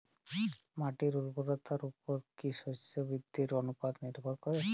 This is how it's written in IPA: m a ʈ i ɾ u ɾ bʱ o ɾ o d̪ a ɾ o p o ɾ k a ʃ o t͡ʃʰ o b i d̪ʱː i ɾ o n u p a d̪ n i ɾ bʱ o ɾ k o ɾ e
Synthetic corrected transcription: m a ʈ i ɾ u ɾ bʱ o ɾ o t̪ a ɾ u p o ɾ k i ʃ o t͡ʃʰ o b i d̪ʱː i ɾ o n u p a d̪ n i ɾ bʱ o ɾ k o ɾ e